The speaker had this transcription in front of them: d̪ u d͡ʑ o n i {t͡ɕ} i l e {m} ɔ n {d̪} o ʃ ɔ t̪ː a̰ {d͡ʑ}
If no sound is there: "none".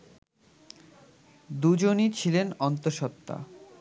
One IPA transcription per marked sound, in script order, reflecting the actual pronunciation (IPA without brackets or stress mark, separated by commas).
t͡ɕʰ, n, t̪, none